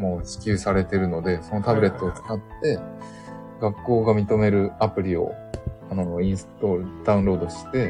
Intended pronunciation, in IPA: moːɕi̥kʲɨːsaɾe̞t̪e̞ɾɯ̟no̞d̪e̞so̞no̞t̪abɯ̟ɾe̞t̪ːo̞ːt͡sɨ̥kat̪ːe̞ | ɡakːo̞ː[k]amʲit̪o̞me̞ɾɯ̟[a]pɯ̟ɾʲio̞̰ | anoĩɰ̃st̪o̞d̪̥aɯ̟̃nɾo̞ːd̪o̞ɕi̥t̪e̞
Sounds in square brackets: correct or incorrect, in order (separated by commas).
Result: incorrect, correct